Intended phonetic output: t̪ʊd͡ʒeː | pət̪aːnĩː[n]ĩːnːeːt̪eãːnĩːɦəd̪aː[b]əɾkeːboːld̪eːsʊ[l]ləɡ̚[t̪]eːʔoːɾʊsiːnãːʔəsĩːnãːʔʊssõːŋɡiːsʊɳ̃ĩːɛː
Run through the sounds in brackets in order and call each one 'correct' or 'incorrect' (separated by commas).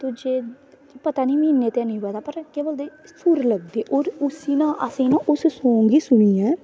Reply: incorrect, incorrect, incorrect, incorrect